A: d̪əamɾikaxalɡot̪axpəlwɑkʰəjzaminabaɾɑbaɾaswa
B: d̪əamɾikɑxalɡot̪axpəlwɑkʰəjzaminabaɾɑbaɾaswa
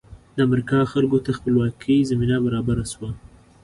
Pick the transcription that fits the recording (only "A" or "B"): B